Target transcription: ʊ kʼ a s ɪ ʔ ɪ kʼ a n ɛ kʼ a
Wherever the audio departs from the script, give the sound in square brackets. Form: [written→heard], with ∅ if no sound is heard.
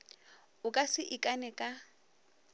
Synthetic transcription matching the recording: ʊ kʼ a s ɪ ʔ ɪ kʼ a n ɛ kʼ a